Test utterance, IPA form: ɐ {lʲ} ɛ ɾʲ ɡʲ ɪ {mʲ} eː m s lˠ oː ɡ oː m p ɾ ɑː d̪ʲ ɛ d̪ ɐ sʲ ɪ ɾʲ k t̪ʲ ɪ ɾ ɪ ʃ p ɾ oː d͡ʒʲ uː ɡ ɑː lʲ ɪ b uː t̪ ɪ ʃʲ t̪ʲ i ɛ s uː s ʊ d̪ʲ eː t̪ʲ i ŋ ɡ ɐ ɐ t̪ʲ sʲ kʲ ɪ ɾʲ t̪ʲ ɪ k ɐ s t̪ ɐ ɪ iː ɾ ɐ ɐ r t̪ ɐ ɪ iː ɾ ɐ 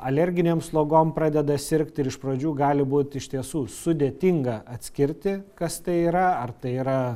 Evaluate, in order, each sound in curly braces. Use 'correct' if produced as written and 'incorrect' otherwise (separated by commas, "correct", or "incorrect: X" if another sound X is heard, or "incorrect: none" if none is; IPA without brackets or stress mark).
correct, incorrect: nʲ